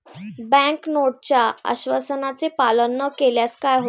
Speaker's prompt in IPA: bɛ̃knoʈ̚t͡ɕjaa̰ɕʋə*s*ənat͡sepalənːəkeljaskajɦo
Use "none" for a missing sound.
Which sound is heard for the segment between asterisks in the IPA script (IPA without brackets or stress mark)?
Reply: s